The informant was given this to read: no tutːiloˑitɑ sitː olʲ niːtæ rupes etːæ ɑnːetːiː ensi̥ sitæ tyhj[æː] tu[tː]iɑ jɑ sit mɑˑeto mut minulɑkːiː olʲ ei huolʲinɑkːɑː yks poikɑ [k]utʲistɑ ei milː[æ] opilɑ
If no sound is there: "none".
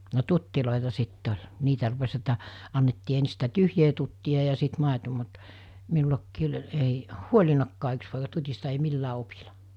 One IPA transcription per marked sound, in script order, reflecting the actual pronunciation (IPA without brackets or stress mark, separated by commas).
eː, tː, t, æː